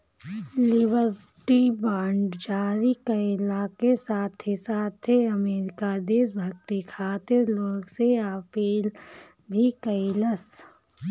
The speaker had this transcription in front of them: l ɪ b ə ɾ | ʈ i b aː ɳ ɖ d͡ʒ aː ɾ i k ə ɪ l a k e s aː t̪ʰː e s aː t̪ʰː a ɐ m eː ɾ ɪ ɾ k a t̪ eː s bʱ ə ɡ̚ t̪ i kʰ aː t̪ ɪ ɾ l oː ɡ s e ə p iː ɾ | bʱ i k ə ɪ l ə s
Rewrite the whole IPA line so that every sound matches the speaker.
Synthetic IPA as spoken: l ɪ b ə ɾ | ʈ i b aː ɳ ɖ d͡ʒ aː ɾ i k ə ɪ l a k e s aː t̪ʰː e s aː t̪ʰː e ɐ m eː ɾ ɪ k a d̪ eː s bʱ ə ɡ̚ t̪ i kʰ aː t̪ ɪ ɾ l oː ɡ s e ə p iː l | bʱ i k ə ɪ l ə s